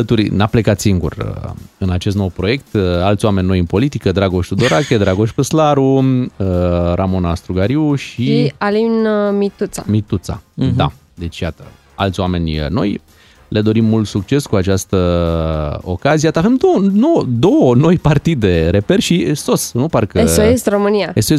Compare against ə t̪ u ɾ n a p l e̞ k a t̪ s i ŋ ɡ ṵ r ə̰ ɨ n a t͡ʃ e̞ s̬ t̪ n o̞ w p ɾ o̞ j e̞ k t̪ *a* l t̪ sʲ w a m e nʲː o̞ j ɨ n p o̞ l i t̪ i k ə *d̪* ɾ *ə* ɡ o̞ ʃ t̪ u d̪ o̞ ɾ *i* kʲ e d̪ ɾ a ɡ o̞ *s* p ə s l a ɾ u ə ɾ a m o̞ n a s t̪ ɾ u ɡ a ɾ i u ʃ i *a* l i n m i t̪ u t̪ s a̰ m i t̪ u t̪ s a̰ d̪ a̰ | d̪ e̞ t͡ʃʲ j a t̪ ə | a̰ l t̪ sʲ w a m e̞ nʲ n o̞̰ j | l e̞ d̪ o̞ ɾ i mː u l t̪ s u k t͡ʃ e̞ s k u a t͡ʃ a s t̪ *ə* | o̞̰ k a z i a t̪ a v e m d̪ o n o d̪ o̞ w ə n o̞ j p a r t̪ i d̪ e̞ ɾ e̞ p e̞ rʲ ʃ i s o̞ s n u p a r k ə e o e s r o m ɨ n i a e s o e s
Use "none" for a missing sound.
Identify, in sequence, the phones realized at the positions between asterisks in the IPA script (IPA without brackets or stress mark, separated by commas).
a, d̪, a, a, ʃ, a, ə